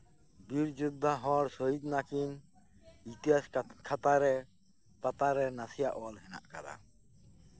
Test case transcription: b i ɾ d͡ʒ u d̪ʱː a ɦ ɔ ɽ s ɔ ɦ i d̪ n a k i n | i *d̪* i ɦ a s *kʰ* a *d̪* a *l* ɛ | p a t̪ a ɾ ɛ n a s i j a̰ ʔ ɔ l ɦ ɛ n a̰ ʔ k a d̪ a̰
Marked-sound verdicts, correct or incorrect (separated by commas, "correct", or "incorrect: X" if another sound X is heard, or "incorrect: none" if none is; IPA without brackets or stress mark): incorrect: t̪, correct, incorrect: t̪, incorrect: ɾ